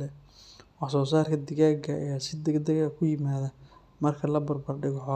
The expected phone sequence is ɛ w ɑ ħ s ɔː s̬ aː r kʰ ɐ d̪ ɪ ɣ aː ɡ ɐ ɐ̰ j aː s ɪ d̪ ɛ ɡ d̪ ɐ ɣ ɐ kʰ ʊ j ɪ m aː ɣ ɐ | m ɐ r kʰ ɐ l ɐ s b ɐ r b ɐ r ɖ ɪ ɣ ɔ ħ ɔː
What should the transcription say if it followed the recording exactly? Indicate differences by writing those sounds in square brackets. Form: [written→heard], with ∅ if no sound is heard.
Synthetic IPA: ɛ w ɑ ħ s ɔː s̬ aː r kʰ ɐ d̪ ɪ ɣ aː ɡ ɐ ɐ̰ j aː s ɪ d̪ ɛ ɡ d̪ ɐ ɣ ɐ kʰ ʊ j ɪ m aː [ɣ→ð] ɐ | m ɐ r kʰ ɐ l ɐ [s→∅] b ɐ r b ɐ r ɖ ɪ ɣ ɔ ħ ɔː